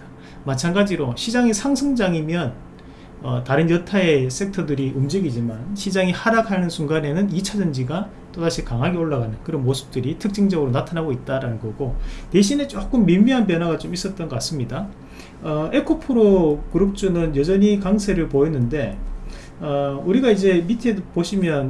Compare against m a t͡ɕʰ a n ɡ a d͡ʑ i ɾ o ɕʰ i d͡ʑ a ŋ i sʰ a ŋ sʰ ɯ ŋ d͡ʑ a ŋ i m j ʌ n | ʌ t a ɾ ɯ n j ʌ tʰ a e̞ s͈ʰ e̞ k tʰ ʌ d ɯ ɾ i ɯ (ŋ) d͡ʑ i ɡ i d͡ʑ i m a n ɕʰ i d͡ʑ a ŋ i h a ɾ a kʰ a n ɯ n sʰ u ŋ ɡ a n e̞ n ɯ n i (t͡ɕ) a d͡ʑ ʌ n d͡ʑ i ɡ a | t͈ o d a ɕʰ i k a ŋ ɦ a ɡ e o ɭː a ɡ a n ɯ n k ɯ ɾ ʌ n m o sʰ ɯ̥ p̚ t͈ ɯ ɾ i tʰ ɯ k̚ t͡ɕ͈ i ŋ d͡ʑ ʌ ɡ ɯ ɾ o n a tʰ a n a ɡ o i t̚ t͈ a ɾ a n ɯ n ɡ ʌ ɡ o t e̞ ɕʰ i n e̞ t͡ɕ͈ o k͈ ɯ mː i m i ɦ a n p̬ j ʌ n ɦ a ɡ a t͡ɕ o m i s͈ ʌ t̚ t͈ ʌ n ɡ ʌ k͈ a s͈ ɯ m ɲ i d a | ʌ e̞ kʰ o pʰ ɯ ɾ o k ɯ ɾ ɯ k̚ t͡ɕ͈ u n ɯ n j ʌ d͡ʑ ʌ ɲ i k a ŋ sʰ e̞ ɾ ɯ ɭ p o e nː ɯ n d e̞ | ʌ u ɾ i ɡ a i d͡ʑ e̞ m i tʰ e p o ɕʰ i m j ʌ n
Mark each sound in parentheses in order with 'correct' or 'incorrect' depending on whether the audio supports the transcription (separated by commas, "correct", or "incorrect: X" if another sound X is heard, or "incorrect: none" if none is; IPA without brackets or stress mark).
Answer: incorrect: m, incorrect: t͡ɕʰ